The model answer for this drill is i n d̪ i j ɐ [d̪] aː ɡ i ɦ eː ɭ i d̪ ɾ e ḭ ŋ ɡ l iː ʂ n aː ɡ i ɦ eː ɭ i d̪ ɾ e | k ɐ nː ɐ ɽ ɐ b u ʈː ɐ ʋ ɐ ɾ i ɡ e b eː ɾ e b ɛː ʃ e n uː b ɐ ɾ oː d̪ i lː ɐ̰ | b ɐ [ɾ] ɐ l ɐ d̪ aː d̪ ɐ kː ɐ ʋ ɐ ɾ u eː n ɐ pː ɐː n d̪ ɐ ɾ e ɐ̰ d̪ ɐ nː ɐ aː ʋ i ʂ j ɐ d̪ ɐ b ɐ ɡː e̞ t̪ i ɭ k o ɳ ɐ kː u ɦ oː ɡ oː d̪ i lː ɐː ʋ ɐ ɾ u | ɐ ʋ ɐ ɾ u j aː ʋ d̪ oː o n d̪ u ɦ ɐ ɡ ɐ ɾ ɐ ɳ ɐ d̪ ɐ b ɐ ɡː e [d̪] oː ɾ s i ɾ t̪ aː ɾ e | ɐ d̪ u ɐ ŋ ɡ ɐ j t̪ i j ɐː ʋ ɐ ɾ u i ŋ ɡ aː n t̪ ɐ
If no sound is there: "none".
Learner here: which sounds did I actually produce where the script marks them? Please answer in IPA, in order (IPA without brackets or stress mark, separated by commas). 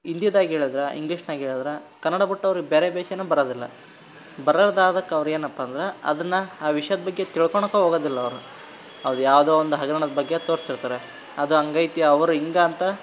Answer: d̪, ɾ, t̪